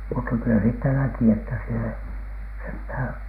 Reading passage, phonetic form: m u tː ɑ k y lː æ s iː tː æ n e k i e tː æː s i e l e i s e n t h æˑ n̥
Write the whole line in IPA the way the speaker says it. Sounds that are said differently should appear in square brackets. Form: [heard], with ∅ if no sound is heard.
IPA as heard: m u tː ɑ k y [l] æ s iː tː æ n [æ] k i e tː [æ] s i e l e i s e n t h æˑ n̥